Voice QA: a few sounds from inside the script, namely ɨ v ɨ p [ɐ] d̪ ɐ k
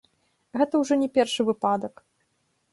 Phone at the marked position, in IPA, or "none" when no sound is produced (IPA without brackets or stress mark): a